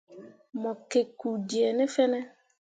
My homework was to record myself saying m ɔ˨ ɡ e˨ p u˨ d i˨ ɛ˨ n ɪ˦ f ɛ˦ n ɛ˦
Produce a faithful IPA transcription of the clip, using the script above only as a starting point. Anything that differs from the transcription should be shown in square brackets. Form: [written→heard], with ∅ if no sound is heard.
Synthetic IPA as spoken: m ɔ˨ [ɡ→k] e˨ [p→k] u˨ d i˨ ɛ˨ n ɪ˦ f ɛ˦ n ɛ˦